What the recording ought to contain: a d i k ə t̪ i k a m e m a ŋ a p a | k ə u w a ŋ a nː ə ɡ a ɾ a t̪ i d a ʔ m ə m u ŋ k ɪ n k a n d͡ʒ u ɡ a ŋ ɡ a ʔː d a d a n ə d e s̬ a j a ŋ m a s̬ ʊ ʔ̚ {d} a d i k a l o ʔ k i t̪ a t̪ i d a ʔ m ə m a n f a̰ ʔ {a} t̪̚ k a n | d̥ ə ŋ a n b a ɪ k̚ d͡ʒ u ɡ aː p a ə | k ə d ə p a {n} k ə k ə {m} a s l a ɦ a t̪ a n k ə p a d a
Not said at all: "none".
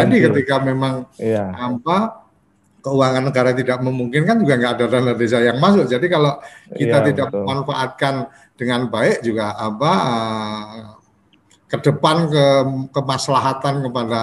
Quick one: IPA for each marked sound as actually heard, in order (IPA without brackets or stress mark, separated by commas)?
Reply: d͡ʒ, a, n, m